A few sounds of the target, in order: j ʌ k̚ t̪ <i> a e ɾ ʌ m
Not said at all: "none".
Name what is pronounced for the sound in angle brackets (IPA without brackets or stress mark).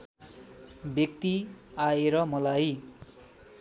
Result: i